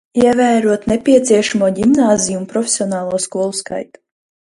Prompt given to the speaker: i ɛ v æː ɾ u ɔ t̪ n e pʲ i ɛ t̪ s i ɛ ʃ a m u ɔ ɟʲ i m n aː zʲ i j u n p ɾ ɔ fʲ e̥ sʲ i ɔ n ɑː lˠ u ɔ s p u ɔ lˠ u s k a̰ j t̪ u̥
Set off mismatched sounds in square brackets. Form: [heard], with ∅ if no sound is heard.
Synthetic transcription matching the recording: i ɛ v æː ɾ u ɔ t̪ n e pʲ i ɛ t̪ s i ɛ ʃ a m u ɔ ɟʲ i m n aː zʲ i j u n p ɾ ɔ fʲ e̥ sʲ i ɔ n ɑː lˠ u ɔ s [k] u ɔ lˠ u s k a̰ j t̪ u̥